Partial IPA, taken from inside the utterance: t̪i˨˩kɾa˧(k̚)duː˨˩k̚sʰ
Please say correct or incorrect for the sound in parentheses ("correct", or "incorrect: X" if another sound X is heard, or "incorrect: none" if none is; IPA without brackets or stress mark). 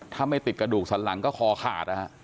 incorrect: none